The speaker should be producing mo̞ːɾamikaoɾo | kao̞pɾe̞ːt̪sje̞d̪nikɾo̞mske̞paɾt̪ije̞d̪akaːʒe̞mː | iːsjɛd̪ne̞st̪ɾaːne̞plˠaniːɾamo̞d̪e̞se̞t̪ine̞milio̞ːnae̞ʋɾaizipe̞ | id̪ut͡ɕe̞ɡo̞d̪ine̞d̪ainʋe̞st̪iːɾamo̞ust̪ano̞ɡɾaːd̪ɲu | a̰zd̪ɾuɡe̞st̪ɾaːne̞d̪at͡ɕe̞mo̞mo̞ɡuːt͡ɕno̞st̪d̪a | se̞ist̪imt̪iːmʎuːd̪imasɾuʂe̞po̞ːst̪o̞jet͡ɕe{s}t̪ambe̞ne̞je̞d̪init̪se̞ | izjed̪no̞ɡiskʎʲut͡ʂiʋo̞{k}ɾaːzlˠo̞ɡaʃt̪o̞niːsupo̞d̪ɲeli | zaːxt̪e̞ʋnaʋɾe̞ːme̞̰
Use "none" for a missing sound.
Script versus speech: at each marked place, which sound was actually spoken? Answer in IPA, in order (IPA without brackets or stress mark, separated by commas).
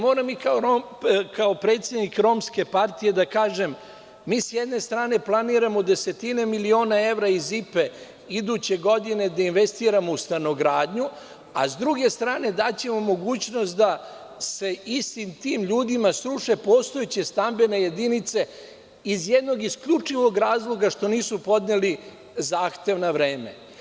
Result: s, ɡ